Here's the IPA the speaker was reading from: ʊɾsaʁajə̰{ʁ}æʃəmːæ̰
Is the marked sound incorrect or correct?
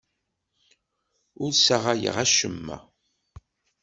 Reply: correct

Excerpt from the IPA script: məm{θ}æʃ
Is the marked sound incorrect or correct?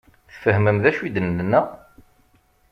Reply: incorrect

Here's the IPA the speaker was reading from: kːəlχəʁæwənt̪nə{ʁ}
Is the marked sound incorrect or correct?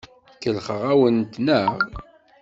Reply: correct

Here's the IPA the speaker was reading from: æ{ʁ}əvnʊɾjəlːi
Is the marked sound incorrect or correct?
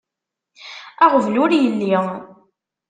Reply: correct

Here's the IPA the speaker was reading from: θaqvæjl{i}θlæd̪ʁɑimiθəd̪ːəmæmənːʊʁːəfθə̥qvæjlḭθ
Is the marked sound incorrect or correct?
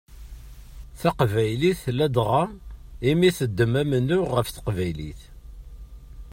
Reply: correct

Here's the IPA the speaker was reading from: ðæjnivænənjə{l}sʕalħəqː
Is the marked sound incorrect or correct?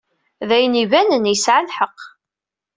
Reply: incorrect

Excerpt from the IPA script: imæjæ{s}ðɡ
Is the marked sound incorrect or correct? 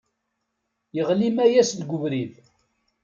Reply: correct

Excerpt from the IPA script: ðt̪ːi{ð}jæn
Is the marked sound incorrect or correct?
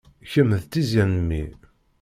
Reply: incorrect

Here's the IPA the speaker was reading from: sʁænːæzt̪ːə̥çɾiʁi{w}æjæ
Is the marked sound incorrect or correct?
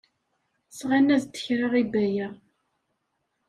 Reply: incorrect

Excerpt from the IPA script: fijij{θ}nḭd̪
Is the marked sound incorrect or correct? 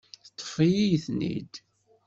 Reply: correct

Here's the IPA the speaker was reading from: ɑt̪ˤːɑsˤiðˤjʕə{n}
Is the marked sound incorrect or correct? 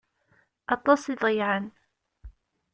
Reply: correct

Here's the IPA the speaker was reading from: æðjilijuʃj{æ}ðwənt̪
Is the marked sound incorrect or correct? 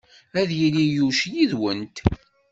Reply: incorrect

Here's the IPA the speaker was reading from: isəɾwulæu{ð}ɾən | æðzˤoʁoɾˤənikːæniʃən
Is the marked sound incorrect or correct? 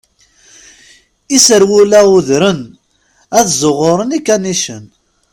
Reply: correct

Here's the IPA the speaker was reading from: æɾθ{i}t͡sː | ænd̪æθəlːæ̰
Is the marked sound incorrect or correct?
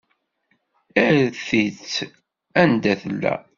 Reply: correct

